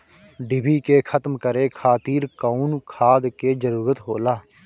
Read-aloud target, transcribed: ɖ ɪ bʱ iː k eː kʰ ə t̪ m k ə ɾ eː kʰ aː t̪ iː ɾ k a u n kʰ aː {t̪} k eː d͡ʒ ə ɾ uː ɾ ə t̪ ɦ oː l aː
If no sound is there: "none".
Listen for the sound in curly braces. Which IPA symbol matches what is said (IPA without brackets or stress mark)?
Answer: d̪